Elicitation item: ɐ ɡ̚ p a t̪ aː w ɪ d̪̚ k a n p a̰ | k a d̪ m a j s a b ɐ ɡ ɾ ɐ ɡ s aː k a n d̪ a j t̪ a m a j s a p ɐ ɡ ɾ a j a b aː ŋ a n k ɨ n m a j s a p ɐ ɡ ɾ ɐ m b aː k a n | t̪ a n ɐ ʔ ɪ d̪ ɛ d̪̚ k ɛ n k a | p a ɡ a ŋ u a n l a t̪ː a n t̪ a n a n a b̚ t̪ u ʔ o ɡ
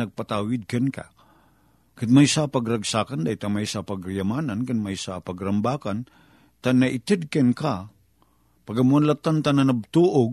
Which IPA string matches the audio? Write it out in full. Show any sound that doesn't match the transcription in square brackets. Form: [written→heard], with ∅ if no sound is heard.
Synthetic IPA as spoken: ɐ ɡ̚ p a t̪ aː w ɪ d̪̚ k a n [p→k] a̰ | k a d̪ m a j s a [b→p] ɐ ɡ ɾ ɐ ɡ s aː k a n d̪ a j t̪ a m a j s a p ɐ ɡ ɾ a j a [b→m] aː [ŋ→n] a n k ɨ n m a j s a p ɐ ɡ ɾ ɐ m b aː k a n | t̪ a n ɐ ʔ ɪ [d̪→t̪] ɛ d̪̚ k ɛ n k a | p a ɡ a [ŋ→m] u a n l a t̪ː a n t̪ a n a n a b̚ t̪ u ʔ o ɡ